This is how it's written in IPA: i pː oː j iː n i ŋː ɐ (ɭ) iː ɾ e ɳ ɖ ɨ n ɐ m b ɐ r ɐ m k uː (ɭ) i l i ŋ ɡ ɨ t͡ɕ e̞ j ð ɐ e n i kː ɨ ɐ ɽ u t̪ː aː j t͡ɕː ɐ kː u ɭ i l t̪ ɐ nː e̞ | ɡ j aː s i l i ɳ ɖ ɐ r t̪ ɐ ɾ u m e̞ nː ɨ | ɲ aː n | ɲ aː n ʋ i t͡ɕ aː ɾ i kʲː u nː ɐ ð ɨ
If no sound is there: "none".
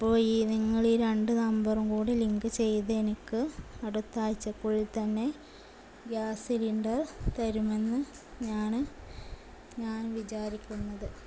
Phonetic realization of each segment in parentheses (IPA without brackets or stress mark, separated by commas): ɭ, ɽ